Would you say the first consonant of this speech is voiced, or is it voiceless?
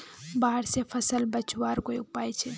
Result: voiced